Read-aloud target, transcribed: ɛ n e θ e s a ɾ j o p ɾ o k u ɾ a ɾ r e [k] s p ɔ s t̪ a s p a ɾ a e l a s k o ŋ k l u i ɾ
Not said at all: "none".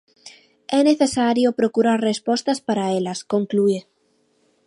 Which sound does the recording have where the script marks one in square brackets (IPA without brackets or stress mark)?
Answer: none